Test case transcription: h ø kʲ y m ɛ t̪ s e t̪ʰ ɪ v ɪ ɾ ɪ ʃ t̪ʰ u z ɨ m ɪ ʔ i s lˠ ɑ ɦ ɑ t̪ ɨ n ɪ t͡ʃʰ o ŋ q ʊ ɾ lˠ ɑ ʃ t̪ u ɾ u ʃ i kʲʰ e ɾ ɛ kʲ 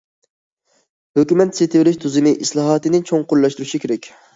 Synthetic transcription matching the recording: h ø kʲ y m ɛ t̪ s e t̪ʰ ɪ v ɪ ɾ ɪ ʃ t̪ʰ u z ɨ m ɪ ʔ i s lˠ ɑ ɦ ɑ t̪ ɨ n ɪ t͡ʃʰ o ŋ q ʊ ɾ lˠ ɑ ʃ t̪ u ɾ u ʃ i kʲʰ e ɾ ɛ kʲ